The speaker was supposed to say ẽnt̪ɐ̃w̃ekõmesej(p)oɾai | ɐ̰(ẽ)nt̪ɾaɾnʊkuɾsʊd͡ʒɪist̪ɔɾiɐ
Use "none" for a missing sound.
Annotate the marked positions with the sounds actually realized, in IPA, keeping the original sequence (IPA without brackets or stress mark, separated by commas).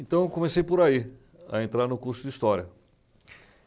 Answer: p, ẽ